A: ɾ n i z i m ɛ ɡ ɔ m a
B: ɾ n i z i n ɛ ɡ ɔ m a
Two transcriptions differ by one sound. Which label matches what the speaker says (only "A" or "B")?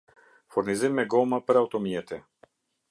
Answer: A